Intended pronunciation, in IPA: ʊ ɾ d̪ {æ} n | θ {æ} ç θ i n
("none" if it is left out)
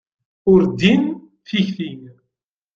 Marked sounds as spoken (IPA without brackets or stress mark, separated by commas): i, i